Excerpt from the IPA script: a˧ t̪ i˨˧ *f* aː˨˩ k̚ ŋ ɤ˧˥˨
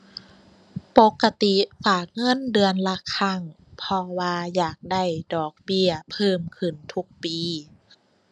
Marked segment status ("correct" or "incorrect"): correct